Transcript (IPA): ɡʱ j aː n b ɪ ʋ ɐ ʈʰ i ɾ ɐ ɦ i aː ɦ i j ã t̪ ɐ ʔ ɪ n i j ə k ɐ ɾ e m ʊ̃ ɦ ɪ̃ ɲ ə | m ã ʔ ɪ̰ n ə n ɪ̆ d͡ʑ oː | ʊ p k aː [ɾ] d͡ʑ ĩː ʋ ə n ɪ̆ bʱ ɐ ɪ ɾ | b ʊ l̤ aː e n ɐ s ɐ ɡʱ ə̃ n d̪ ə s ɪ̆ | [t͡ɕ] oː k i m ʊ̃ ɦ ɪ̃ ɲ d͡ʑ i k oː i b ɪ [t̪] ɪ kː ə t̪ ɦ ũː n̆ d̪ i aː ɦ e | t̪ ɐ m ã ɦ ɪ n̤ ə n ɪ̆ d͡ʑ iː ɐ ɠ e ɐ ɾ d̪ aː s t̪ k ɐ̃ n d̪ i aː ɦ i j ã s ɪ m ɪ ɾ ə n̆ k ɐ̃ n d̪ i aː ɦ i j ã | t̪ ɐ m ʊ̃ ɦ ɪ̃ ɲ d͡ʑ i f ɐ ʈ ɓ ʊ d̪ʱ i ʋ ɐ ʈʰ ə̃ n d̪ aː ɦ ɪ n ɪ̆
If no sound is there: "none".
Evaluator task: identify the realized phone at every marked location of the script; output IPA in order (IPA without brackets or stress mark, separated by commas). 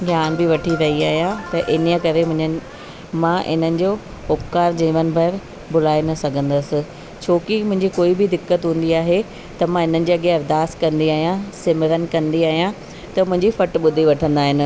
ɾ, t͡ɕʰ, d̪